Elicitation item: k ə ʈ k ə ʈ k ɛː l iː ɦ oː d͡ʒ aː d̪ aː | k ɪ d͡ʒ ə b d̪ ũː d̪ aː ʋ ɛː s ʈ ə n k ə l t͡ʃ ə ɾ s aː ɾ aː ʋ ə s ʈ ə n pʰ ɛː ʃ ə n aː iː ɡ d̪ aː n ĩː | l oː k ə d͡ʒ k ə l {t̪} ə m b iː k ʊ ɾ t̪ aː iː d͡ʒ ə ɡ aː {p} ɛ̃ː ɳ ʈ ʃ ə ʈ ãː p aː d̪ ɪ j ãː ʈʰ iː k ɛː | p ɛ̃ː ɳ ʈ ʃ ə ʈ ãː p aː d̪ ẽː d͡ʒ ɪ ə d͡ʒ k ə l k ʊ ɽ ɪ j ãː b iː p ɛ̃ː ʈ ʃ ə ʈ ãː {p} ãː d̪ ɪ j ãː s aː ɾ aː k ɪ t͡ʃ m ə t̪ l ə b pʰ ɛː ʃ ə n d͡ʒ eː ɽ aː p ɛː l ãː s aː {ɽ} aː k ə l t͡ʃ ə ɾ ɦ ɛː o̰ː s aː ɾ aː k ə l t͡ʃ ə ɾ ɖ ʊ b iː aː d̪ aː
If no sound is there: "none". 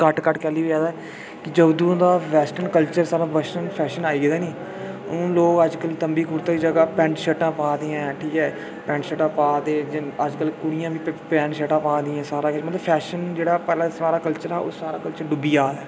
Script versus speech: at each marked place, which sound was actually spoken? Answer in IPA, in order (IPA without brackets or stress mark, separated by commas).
t̪, p, p, ɾ